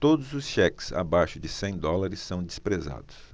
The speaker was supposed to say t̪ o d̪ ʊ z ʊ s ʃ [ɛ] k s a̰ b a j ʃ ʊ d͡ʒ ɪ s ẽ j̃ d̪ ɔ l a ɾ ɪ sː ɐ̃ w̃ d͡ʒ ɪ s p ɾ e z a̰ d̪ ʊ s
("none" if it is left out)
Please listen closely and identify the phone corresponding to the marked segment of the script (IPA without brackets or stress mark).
ɛ